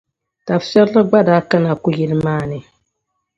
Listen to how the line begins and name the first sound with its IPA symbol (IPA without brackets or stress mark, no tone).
t